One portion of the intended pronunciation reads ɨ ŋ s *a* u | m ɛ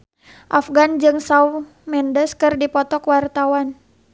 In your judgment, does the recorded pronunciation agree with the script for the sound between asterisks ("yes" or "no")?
yes